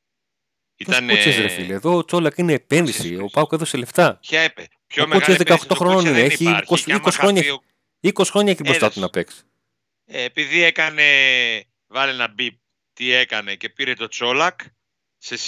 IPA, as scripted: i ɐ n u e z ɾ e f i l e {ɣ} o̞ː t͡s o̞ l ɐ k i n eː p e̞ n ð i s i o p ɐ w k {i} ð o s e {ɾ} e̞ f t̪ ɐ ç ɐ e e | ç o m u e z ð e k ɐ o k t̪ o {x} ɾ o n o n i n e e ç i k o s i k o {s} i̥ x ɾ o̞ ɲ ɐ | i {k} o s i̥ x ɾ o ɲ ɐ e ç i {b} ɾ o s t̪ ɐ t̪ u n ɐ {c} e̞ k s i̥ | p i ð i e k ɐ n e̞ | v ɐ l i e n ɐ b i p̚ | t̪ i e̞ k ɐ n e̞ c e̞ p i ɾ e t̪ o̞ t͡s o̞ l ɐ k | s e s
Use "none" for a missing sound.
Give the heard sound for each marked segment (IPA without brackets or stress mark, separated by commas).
ð, e, l, x, s, k, b, p